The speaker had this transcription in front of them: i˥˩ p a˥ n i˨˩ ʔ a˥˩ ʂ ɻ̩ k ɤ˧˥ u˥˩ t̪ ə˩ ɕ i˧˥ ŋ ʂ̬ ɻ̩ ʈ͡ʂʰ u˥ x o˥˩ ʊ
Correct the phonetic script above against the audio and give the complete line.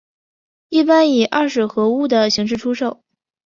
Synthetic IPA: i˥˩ p a˥ n i˨˩ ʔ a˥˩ ʂ ɻ̩ x ɤ˧˥ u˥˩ d̪ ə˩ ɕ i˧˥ ŋ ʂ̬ ɻ̩ ʈ͡ʂʰ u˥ ʂ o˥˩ ʊ